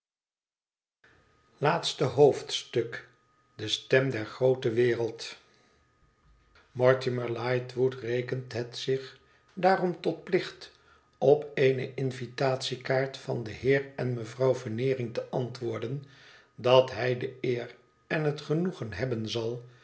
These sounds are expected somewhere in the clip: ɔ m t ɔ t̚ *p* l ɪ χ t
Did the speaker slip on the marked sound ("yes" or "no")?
no